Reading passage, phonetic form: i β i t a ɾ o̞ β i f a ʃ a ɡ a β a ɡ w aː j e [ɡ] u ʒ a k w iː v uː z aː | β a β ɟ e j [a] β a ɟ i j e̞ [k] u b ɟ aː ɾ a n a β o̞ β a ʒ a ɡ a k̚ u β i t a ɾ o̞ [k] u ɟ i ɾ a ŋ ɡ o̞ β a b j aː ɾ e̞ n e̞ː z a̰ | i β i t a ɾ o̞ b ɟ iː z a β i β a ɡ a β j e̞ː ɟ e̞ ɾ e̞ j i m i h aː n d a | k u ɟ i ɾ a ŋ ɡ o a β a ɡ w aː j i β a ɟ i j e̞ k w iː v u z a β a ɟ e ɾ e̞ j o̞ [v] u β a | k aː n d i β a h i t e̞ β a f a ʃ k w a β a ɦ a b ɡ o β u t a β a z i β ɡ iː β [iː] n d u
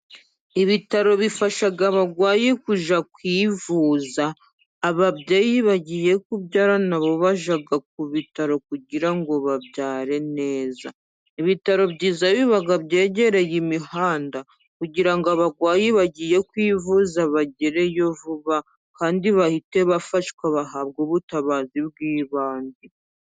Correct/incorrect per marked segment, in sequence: incorrect, incorrect, correct, correct, correct, incorrect

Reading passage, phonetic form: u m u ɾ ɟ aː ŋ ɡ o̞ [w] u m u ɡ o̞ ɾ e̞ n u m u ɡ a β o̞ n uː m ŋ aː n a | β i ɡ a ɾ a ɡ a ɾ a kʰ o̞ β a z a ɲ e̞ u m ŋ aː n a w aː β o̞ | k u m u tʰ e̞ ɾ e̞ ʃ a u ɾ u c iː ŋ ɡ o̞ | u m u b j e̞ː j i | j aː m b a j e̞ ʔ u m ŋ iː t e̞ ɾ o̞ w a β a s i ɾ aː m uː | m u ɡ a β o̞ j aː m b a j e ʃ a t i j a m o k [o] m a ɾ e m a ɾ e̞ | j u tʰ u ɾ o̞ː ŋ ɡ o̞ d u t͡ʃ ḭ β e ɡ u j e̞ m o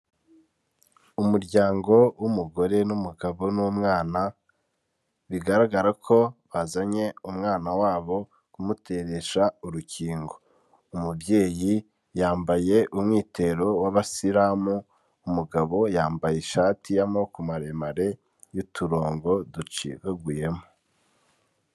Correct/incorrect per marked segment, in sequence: correct, incorrect

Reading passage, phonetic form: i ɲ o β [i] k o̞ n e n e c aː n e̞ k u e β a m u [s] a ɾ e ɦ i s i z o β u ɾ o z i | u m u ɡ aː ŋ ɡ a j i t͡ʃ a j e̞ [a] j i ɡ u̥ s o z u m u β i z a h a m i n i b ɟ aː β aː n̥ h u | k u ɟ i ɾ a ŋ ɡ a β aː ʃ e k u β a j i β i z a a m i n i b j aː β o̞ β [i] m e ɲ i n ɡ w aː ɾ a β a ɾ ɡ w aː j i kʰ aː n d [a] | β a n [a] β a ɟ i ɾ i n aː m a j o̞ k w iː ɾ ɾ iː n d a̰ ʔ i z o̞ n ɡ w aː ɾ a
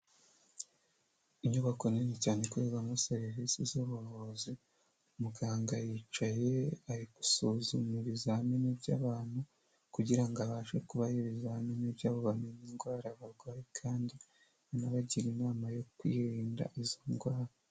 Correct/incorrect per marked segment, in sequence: incorrect, correct, correct, incorrect, incorrect, correct

